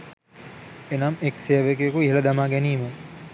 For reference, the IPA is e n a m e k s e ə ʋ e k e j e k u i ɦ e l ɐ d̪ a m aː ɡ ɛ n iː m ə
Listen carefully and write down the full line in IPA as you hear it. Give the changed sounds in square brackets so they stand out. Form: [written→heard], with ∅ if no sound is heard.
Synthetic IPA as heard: e n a m e k s e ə ʋ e k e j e k u i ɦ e l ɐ d̪ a m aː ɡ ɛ n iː m ə